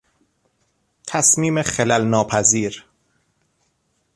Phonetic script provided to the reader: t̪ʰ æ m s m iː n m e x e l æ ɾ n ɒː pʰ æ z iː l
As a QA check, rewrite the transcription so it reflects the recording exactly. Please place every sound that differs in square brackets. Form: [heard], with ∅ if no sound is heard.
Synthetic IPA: t̪ʰ æ [∅] s m iː [∅] m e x e l æ [l] n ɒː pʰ æ z iː [ɾ]